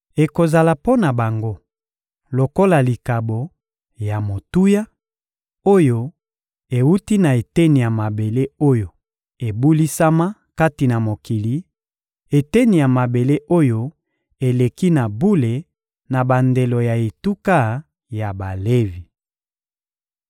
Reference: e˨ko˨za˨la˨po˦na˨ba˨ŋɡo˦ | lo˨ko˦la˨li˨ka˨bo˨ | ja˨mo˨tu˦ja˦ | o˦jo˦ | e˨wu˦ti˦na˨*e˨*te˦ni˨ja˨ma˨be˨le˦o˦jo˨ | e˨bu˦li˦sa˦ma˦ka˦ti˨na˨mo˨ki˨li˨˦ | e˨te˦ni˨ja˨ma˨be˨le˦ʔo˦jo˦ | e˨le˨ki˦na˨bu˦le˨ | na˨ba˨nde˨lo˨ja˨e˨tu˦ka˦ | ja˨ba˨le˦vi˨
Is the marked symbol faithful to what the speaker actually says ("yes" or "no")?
yes